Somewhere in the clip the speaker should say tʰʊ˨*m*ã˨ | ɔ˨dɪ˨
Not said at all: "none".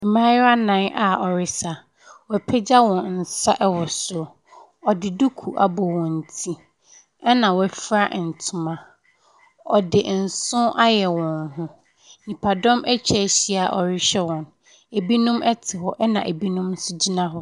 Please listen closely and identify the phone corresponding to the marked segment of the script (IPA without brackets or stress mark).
m